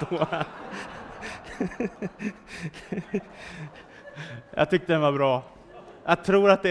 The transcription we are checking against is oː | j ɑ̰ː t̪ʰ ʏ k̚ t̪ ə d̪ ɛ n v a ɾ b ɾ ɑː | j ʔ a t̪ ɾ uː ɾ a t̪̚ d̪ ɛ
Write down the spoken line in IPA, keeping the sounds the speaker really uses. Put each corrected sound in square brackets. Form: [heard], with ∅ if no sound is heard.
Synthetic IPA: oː | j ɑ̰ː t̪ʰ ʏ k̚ t̪ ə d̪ ɛ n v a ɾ b ɾ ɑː | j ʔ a [t̪ʰ] ɾ uː ɾ a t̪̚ d̪ ɛ